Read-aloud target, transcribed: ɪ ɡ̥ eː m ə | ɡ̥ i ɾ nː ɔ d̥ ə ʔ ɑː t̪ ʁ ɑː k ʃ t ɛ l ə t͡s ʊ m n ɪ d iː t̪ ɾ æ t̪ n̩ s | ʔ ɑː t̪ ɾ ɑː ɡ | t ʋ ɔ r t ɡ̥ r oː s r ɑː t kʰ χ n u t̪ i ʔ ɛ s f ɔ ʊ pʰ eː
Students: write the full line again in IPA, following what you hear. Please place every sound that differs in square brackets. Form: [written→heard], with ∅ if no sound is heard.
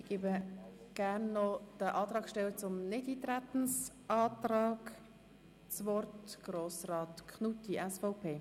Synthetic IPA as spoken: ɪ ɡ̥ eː [m→b] ə | ɡ̥ [i→æ] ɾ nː ɔ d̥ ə ʔ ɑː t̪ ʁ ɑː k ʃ t ɛ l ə t͡s ʊ m n ɪ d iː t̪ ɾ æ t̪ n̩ s | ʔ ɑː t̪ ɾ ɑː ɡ | [t→t͡s] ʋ ɔ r t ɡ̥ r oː s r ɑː t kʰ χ n u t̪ i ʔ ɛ s f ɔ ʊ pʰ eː